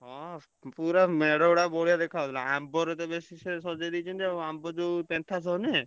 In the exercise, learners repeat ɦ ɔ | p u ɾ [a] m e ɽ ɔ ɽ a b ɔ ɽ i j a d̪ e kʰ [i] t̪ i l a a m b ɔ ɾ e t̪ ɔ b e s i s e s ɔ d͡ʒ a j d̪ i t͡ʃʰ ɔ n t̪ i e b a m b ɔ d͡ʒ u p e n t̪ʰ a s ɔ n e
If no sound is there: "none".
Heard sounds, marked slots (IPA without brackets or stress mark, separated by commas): a, a